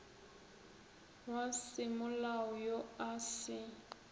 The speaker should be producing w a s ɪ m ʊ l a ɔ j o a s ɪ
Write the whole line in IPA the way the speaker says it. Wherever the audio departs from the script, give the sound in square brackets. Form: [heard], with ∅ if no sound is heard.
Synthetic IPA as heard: w a s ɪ m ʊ l a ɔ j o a s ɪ